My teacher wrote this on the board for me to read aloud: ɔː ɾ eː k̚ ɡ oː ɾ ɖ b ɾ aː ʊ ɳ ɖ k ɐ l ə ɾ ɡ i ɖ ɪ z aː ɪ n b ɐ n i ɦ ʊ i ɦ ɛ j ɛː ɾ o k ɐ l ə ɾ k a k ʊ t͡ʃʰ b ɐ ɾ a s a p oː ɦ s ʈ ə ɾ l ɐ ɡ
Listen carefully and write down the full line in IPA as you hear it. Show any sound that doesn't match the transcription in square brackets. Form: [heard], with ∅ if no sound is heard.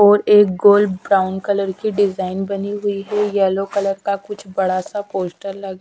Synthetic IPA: ɔː ɾ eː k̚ ɡ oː [l] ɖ b ɾ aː ʊ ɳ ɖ k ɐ l ə ɾ [k] i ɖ ɪ z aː ɪ n b ɐ n i ɦ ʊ i ɦ ɛ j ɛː [l] o k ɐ l ə ɾ k a k ʊ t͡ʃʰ b ɐ [ɽ] a s a p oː [∅] s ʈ ə ɾ l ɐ ɡ